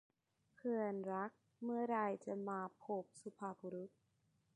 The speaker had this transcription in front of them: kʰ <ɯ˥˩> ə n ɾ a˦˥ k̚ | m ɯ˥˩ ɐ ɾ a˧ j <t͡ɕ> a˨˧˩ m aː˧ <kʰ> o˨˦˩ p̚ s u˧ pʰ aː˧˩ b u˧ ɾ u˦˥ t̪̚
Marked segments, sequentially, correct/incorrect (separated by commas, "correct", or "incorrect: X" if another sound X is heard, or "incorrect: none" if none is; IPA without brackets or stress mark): incorrect: ɯ˧, correct, incorrect: pʰ